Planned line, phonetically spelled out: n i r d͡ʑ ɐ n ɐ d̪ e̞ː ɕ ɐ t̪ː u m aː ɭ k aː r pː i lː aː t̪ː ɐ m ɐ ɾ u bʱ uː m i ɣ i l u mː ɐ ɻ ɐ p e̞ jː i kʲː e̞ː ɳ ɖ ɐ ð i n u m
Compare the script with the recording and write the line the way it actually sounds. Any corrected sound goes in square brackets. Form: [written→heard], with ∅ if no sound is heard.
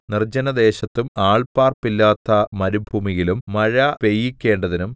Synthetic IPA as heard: n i r d͡ʑ ɐ n ɐ d̪ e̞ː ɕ ɐ t̪ː u m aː ɭ [k→p] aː r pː i lː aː t̪ː ɐ m ɐ ɾ u bʱ uː m i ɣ i l u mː ɐ ɻ ɐ p e̞ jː i kʲː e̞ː ɳ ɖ ɐ ð i n u m